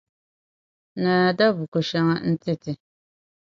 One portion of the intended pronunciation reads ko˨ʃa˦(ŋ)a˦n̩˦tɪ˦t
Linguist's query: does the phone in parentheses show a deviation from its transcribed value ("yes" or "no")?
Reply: no